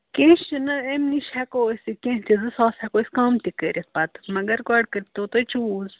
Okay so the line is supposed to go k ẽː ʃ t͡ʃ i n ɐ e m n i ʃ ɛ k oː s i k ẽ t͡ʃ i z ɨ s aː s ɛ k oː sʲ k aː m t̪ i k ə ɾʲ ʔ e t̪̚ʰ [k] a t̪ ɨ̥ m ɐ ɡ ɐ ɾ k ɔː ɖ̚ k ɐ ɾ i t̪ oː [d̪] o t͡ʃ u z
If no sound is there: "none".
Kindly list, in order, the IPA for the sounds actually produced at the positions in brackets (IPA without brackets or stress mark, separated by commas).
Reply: p, t̪